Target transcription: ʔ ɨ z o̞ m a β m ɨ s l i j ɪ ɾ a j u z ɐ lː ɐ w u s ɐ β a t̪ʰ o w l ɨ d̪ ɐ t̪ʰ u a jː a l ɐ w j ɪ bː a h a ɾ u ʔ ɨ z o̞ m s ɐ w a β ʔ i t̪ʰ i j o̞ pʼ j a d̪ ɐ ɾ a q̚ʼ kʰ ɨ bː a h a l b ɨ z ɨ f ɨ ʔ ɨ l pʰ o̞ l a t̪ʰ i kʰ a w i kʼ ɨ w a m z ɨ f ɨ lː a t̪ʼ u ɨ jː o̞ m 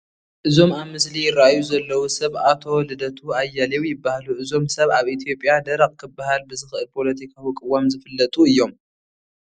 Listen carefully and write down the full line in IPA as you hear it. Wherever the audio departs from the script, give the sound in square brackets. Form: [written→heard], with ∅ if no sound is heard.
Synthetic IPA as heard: ʔ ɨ z o̞ m a β m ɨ s l i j ɪ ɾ a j u z ɐ lː ɐ w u s ɐ β a t̪ʰ o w l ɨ d̪ ɐ t̪ʰ u a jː a l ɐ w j ɪ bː a h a [ɾ→l] u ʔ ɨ z o̞ m s ɐ [w→β] a β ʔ i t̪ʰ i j o̞ pʼ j a d̪ ɐ ɾ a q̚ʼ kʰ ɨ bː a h a l b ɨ z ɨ [f→x] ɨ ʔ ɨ l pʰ o̞ l [a→ɐ] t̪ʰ i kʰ a w i kʼ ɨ w a m z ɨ f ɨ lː [a→ɐ] t̪ʼ u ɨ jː o̞ m

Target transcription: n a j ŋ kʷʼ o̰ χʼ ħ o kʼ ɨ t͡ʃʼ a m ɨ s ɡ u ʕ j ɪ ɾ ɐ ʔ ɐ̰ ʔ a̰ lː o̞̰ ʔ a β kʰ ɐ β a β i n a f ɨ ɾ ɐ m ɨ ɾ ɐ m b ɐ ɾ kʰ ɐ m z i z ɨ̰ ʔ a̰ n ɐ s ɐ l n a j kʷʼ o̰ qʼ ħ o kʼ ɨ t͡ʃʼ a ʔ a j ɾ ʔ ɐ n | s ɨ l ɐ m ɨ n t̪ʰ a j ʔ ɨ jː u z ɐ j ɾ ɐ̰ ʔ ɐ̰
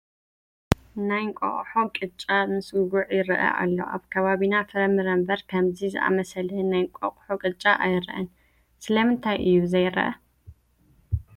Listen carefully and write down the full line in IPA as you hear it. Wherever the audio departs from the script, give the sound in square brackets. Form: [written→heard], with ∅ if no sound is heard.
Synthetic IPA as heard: n a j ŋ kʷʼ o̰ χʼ ħ o kʼ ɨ t͡ʃʼ a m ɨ s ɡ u ʕ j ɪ ɾ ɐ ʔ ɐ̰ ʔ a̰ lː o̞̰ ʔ a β kʰ ɐ β a β i n a f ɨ ɾ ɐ m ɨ ɾ ɐ m b ɐ ɾ kʰ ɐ m z i z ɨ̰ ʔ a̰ [n→m] ɐ s ɐ l n a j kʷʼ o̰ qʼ ħ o kʼ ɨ t͡ʃʼ a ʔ a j ɾ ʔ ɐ n | s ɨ l ɐ m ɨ n t̪ʰ a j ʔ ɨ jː u z ɐ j ɾ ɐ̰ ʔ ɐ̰

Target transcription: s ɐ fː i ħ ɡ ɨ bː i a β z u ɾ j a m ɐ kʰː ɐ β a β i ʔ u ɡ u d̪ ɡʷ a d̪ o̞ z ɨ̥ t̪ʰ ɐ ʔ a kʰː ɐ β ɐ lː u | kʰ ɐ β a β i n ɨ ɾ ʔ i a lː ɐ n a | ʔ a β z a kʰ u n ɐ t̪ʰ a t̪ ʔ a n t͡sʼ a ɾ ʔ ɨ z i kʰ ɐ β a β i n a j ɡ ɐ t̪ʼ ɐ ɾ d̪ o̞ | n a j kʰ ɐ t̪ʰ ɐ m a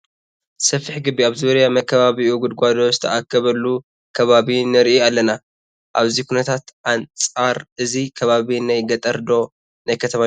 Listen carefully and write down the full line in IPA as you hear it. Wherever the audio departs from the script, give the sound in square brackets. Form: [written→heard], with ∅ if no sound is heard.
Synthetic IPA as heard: s ɐ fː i ħ ɡ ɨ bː i a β z u ɾ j a m ɐ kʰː ɐ β a β i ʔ u ɡ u d̪ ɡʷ a d̪ o̞ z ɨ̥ t̪ʰ ɐ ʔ a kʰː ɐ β ɐ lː u | kʰ ɐ β a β i n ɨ ɾ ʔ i a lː ɐ n a | ʔ a β z [a→i] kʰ u n ɐ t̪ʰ a t̪ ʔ a n t͡sʼ a ɾ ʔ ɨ z i kʰ ɐ β a β i n a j ɡ ɐ t̪ʼ ɐ ɾ d̪ o̞ | n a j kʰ ɐ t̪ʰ ɐ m a

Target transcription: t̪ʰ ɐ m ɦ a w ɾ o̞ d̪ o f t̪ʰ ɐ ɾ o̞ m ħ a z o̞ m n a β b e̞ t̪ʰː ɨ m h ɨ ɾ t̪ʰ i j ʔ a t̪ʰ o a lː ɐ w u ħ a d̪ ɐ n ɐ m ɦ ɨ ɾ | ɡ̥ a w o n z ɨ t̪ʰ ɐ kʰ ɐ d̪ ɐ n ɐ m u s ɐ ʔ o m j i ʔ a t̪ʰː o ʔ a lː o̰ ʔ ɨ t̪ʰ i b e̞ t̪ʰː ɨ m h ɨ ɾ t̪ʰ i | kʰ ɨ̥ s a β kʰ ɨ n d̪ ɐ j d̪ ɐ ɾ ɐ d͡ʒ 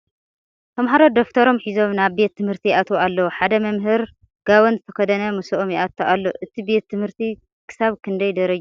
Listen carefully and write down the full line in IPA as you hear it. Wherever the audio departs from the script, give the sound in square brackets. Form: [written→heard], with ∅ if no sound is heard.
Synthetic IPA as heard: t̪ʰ ɐ m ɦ a [w→∅] ɾ o̞ d̪ o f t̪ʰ ɐ ɾ o̞ m ħ [a→i] z o̞ m n a β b e̞ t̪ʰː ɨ m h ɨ ɾ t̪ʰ i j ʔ a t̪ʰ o a lː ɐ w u ħ a d̪ ɐ [n→m] ɐ m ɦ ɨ ɾ | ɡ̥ a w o n z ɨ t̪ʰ ɐ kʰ ɐ d̪ ɐ n ɐ m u s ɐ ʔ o m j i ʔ a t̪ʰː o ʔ a lː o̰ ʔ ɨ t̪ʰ i b e̞ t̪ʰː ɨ m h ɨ ɾ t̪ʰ i | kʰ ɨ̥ s a β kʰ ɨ n d̪ ɐ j d̪ ɐ ɾ ɐ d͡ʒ

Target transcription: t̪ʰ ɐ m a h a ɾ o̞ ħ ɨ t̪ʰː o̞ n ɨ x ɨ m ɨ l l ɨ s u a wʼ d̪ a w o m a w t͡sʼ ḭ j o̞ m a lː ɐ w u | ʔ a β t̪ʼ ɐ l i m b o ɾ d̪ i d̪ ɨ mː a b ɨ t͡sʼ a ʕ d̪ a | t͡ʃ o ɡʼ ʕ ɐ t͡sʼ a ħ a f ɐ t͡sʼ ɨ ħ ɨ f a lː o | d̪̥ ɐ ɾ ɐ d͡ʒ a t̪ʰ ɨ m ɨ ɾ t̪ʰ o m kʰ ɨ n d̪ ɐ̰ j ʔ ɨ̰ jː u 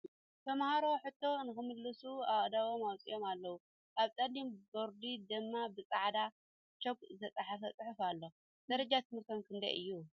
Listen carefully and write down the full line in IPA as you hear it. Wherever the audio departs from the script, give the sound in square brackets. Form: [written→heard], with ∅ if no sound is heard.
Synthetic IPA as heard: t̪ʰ ɐ m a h a ɾ o̞ ħ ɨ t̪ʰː o̞ n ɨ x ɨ m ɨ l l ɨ s u a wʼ d̪ a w o m a w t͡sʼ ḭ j o̞ m a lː ɐ w u | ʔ a β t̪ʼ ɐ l i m b o ɾ d̪ i d̪ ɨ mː a b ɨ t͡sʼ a ʕ d̪ a | t͡ʃ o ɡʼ [ʕ→z] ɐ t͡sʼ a ħ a f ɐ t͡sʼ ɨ ħ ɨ f a lː o | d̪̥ ɐ ɾ ɐ d͡ʒ a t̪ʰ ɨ m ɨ ɾ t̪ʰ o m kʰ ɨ n d̪ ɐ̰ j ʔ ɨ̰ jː u

